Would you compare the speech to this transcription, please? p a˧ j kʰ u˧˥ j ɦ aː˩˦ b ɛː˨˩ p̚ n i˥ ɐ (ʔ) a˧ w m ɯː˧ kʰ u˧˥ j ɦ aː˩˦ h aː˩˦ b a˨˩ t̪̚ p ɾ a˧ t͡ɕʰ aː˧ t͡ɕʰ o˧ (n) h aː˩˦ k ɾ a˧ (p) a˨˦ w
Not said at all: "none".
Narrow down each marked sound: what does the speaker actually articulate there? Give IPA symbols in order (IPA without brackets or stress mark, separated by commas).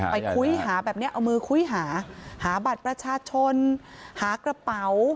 ʔ, n, p